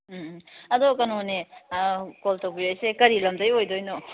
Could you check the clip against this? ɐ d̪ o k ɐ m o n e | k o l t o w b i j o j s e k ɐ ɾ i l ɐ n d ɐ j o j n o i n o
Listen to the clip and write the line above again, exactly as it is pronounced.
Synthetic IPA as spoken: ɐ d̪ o k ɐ n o n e | k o l t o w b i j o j s e k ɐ ɾ i l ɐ m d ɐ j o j d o j n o